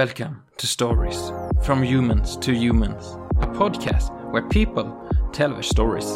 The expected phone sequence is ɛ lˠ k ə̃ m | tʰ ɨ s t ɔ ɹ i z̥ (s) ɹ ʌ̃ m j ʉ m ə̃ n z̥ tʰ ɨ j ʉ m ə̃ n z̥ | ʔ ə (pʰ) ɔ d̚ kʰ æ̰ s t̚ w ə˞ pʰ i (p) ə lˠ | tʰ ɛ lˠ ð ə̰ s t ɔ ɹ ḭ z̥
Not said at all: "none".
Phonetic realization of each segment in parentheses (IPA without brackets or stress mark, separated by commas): f, pʰ, p